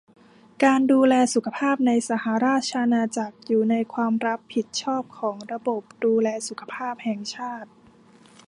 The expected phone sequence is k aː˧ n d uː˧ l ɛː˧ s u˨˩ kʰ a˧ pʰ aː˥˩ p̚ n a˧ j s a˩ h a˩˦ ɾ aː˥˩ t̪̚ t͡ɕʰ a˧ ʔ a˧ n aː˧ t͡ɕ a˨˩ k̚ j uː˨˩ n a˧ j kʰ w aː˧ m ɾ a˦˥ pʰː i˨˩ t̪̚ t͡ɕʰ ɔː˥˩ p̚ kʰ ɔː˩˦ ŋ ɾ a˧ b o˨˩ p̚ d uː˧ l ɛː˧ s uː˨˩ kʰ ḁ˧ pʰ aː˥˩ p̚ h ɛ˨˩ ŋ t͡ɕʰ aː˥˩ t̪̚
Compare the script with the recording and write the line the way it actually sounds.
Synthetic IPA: k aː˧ n d uː˧ l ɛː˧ s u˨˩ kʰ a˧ pʰ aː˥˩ p̚ n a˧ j s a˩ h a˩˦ ɾ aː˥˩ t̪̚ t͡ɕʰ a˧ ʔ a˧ n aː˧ t͡ɕ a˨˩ k̚ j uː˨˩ n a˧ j kʰ w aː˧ m ɾ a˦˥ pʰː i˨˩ t̪̚ t͡ɕʰ ɔː˥˩ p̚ kʰ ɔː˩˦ ŋ ɾ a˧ b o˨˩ p̚ d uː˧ l ɛː˧ s u˨˩ kʰ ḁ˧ pʰ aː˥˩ p̚ h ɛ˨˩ ŋ t͡ɕʰ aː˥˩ t̪̚

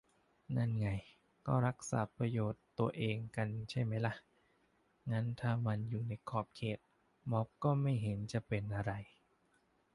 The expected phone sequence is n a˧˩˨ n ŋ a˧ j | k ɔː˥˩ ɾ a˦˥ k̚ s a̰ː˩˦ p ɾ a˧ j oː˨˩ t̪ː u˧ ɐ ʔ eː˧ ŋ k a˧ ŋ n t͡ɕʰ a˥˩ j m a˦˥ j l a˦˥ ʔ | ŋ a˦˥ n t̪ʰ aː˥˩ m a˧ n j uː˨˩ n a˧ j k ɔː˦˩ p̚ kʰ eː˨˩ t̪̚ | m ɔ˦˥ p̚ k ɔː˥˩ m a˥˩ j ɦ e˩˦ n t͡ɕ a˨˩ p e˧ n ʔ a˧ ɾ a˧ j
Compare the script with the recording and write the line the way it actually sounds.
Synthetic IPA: n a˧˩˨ n ŋ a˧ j | k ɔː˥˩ ɾ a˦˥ k̚ s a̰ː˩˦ p ɾ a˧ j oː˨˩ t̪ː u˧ ɐ ʔ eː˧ ŋ k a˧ n t͡ɕʰ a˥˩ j m a˦˥ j l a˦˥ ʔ | ŋ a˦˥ n t̪ʰ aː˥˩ m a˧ n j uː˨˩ n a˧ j kʰ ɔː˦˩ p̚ kʰ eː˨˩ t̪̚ | m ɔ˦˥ p̚ k ɔː˥˩ m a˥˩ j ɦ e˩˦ n t͡ɕ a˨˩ p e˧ n ʔ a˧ ɾ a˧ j

